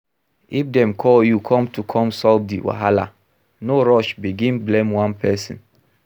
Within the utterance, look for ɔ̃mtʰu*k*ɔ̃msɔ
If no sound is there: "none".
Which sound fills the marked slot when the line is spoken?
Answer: kʰ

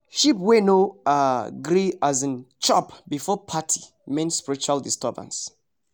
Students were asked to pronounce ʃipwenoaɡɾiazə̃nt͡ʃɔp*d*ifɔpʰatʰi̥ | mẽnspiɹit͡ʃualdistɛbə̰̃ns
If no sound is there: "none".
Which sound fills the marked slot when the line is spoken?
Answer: b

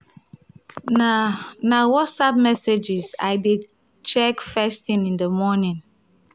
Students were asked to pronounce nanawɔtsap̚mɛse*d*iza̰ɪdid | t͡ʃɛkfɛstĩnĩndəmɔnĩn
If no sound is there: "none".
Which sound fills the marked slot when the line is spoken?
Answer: d͡ʒ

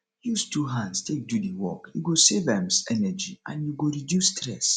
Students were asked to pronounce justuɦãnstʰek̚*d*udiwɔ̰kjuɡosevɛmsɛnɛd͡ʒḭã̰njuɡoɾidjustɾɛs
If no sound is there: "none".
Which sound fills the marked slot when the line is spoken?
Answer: d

